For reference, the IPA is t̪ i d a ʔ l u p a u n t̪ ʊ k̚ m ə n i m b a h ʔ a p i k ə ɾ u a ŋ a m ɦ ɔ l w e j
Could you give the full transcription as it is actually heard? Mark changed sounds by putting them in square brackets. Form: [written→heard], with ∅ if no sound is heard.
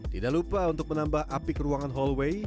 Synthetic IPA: t̪ i d a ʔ l u p a u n t̪ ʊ k̚ m ə n [i→a] m b a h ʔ a p i k ə ɾ u a ŋ a [m→n] ɦ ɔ l w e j